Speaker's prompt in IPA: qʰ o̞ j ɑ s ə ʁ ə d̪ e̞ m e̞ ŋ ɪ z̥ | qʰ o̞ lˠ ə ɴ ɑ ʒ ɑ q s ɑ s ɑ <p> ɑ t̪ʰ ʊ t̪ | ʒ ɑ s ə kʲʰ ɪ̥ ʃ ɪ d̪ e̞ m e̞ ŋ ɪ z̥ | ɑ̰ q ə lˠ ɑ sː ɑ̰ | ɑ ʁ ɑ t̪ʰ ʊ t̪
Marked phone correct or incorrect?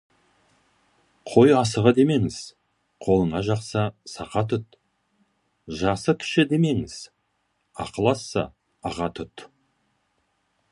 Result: incorrect